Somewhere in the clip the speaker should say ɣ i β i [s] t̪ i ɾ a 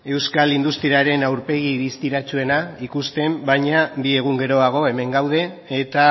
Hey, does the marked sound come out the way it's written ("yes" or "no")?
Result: yes